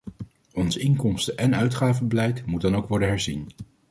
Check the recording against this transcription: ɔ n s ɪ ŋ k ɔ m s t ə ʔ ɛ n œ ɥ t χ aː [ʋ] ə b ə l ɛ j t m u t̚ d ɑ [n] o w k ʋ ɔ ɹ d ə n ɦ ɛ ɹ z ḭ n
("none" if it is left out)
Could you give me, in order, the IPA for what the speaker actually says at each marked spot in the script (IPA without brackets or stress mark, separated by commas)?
v, n